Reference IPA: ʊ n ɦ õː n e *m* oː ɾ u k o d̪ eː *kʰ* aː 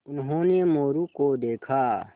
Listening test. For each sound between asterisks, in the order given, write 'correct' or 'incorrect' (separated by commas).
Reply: correct, correct